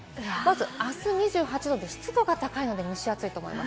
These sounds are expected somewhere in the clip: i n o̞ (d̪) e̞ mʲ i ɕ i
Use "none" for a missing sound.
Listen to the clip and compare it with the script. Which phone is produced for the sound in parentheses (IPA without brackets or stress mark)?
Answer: d̪